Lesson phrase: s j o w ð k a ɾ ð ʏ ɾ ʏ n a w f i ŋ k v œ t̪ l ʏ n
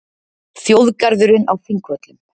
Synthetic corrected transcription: θ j o w ð k a ɾ ð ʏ ɾ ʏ n a w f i ŋ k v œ t̪ l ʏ m